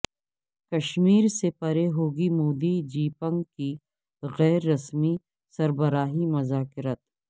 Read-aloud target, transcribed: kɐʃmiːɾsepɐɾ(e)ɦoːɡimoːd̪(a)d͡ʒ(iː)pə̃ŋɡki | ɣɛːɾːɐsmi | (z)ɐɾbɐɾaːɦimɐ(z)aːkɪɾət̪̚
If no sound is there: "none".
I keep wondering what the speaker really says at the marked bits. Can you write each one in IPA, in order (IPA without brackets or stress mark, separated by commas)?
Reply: e, i, iː, s, z